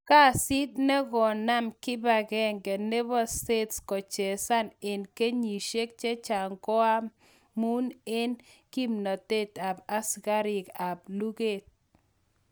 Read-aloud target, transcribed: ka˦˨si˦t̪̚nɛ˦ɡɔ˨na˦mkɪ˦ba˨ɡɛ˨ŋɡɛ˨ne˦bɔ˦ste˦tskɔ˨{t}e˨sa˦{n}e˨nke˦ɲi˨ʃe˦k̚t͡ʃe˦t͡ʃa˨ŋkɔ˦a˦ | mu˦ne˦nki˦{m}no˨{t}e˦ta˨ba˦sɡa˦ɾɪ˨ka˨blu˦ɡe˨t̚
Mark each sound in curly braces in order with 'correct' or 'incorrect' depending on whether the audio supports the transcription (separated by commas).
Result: incorrect, correct, correct, correct